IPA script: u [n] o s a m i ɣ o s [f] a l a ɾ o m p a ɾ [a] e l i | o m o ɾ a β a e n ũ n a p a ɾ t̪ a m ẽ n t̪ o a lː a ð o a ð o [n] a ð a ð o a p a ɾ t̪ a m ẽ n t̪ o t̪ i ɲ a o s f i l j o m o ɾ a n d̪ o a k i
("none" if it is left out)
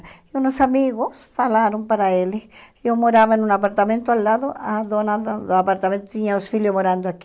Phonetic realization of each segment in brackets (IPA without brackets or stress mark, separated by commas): n, f, a, n